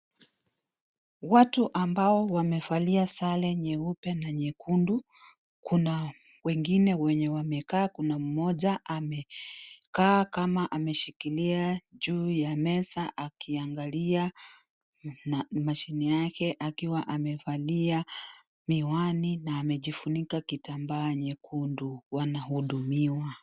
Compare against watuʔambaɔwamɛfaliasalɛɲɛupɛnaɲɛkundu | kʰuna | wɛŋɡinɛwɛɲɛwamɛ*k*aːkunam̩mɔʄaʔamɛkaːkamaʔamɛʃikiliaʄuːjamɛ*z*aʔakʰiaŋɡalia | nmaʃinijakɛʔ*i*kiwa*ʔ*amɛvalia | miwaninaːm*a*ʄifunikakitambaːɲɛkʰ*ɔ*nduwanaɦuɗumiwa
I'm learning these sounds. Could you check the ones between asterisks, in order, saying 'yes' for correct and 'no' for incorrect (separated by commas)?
yes, no, no, yes, no, no